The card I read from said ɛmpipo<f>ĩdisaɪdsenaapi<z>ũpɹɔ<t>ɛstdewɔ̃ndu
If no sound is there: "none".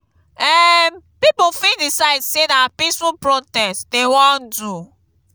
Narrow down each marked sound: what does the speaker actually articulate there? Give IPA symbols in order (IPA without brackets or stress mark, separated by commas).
f, s, t